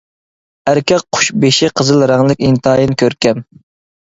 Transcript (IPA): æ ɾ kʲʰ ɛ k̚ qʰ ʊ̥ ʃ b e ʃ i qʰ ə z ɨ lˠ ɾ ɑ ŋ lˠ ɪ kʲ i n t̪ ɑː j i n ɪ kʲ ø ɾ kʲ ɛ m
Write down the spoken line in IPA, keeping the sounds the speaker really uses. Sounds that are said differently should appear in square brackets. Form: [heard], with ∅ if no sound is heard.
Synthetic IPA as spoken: æ ɾ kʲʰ ɛ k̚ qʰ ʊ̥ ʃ b e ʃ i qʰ ə z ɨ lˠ ɾ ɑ ŋ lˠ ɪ kʲ i n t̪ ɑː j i n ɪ kʲ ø ɾ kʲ ɛ m